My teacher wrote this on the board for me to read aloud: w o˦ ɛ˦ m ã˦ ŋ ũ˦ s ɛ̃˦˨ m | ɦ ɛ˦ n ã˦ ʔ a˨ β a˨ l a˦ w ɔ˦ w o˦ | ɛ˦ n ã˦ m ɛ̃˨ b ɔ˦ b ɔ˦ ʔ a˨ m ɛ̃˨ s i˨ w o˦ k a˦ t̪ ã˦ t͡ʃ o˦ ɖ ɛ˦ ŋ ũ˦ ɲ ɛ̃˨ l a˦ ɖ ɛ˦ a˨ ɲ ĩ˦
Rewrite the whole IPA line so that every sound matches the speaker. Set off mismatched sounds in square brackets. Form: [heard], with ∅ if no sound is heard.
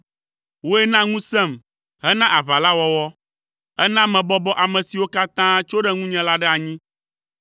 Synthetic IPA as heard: w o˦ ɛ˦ [n] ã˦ ŋ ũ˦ s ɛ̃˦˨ m | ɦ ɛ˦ n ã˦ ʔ a˨ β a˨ l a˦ w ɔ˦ w [ɔ˦] | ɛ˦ n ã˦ m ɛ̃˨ b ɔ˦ b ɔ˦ ʔ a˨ m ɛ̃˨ s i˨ w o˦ k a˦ t̪ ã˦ t͡ʃ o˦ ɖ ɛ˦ ŋ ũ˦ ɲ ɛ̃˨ l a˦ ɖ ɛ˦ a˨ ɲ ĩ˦